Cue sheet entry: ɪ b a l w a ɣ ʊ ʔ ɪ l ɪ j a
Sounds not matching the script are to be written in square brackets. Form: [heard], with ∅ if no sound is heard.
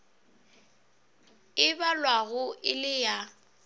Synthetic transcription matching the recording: ɪ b a l w a ɣ ʊ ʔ ɪ l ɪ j a